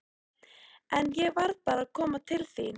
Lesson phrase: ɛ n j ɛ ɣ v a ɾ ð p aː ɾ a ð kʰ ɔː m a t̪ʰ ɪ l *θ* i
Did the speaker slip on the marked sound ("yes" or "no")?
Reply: no